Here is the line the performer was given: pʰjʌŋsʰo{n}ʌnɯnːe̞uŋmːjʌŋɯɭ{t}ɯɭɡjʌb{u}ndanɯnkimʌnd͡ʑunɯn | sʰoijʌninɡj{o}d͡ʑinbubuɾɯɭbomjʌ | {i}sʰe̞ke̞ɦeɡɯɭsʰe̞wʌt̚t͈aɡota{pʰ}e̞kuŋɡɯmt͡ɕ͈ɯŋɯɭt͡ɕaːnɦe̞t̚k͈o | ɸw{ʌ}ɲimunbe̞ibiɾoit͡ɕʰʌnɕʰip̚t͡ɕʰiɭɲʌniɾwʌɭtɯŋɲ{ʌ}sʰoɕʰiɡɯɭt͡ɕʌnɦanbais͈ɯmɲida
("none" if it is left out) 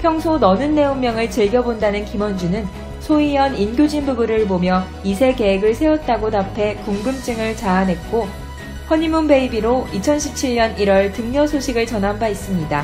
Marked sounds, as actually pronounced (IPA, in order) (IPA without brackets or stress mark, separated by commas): n, t͡ɕ, o, o, i, pʰ, ʌ, ʌ